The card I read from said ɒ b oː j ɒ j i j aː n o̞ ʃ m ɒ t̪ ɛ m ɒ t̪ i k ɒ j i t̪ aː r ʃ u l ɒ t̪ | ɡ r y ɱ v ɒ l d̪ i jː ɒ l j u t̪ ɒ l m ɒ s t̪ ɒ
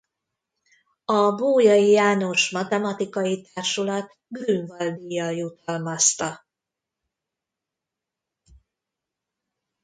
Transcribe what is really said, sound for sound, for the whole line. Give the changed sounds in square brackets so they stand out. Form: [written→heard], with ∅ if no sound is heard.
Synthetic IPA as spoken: ɒ b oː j ɒ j i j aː n o̞ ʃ m ɒ t̪ ɛ m ɒ t̪ i k ɒ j i t̪ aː r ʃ u l ɒ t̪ | ɡ r y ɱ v ɒ l d̪ i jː ɒ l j u t̪ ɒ l m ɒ s t̪ ɒ